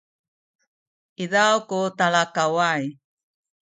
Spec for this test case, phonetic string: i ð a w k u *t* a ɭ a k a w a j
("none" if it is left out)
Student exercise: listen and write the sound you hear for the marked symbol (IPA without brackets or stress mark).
t